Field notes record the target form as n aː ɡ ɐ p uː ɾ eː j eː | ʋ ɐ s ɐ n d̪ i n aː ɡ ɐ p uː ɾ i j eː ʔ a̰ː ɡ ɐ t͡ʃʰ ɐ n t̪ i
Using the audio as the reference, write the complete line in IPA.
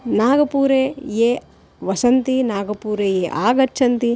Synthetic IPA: n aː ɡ ɐ p uː ɾ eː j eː | ʋ ɐ s ɐ n t̪ i n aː ɡ ɐ p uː ɾ e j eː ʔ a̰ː ɡ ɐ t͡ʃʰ ɐ n t̪ i